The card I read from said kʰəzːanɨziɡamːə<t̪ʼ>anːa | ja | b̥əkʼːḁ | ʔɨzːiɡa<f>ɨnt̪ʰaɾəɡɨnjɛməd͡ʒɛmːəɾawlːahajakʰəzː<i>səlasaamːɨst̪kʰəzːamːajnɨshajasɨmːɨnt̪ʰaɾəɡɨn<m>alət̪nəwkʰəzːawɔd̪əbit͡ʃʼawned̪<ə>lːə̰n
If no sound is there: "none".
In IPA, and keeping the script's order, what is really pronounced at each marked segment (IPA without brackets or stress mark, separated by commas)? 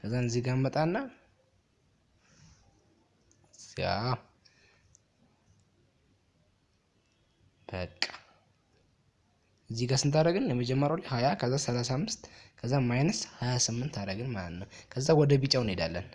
t̪ʼ, s, a, m, a